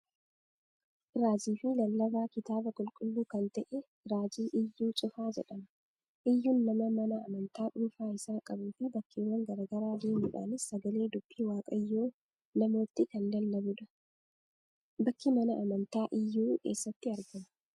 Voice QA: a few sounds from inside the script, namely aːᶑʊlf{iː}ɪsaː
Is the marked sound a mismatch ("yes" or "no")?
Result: yes